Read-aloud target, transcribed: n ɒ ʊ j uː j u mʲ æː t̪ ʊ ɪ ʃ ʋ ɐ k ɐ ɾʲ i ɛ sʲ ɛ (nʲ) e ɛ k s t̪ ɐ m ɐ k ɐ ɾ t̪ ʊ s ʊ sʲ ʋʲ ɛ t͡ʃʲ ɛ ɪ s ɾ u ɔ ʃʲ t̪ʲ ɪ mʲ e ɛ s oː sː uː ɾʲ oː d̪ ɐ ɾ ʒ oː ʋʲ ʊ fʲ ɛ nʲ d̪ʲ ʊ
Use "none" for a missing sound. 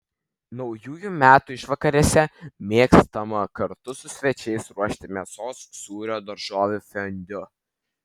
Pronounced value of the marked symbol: mʲ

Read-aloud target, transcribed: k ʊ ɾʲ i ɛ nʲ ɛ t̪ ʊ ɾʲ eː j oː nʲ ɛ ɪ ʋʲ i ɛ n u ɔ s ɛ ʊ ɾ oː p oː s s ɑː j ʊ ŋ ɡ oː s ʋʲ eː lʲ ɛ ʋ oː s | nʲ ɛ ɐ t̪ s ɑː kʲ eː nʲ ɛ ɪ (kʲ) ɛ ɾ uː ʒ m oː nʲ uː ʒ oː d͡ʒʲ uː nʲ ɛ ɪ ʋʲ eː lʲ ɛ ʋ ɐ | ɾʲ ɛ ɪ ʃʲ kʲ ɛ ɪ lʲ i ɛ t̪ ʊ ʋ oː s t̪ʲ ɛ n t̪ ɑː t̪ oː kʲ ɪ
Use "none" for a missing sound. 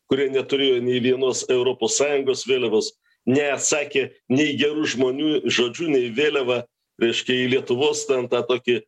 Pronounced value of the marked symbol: ɡʲ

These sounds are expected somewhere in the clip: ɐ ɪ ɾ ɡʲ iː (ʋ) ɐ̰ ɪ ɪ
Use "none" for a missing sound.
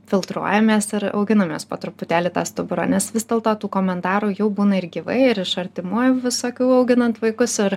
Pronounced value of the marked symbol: ʋ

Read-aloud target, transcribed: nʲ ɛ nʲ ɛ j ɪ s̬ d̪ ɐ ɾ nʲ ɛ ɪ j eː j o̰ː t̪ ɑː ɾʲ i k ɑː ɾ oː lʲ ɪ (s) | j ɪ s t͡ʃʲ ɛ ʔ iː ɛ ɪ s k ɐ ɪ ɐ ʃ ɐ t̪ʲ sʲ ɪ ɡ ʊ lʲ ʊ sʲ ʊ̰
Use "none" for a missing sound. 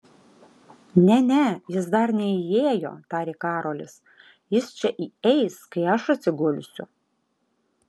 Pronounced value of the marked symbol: s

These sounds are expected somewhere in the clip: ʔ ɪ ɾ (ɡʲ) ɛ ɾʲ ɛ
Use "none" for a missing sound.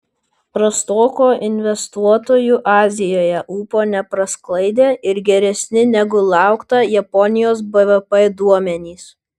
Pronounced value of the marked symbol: ɡʲ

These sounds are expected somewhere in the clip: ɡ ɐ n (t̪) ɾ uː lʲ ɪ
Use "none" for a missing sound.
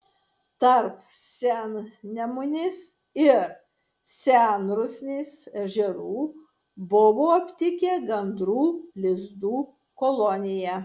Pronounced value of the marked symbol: d̪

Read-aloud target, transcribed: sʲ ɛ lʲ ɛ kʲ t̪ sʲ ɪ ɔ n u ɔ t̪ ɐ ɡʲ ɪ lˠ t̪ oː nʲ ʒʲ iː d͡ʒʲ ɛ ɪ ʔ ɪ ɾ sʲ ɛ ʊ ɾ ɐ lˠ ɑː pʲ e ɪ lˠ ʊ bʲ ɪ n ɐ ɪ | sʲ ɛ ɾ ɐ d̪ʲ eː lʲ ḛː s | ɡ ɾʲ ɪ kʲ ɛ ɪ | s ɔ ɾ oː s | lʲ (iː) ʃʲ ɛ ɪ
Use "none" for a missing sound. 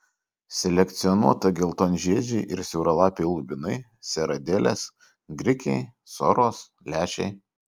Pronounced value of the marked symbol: æː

